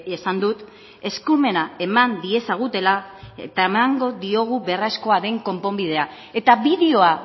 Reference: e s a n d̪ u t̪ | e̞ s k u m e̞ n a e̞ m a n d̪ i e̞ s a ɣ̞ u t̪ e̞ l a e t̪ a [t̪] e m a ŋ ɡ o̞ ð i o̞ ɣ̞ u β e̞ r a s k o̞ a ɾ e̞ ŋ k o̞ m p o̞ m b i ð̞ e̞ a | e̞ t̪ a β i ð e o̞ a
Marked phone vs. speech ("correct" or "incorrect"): incorrect